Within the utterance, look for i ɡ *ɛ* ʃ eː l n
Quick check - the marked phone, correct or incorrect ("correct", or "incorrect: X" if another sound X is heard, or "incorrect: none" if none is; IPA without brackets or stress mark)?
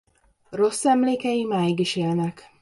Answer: incorrect: i